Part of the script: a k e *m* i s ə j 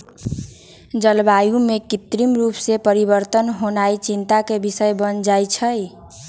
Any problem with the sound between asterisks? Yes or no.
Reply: yes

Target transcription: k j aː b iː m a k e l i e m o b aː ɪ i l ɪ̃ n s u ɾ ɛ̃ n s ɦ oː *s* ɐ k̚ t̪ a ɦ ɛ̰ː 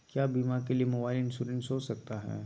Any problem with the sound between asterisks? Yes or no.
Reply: no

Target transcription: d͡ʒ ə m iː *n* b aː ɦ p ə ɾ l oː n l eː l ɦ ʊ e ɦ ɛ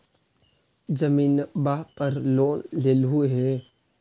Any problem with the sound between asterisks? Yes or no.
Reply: no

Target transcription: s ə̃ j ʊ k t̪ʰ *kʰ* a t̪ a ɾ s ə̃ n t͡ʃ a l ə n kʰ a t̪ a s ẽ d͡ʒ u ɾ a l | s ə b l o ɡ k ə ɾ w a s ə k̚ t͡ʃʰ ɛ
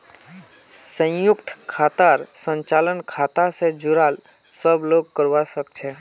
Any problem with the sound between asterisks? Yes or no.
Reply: no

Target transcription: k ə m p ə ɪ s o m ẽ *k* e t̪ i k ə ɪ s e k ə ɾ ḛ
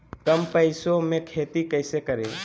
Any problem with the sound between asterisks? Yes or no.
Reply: yes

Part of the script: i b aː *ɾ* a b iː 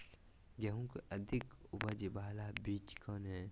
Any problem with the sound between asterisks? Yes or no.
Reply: yes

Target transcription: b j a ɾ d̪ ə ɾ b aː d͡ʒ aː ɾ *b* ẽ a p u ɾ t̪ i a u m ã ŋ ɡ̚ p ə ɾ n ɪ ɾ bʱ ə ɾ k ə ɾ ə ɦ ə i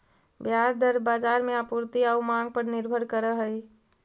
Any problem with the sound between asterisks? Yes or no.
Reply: yes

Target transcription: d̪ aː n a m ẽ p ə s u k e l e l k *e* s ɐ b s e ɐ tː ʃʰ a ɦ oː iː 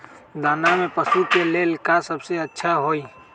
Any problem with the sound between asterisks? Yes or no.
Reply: yes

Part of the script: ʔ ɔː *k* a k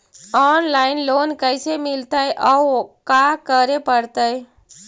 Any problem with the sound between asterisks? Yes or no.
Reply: no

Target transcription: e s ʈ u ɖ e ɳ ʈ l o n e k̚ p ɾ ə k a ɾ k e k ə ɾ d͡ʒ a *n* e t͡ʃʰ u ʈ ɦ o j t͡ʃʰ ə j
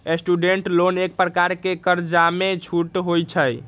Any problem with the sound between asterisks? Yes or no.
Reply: yes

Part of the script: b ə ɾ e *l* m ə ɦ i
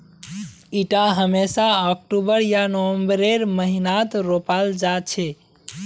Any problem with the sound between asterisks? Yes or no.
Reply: yes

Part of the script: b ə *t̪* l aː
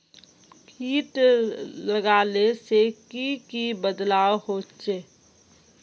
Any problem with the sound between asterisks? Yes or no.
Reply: yes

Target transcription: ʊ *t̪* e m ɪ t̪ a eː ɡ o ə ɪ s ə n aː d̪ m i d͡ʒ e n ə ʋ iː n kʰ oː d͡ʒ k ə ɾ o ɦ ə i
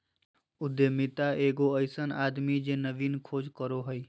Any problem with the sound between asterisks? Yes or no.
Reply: yes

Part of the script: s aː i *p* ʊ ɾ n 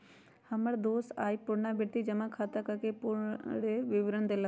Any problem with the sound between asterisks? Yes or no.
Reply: no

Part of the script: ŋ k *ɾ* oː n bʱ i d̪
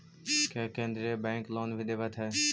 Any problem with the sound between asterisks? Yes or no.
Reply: yes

